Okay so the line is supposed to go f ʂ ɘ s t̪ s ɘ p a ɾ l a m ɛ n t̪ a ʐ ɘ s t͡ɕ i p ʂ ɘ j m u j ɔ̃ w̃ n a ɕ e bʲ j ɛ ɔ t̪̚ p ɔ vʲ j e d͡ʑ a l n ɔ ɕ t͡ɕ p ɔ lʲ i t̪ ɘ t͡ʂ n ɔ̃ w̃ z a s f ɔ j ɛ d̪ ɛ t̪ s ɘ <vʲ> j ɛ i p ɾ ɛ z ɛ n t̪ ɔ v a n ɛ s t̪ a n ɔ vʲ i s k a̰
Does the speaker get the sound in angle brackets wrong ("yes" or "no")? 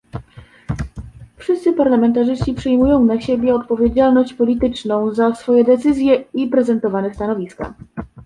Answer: yes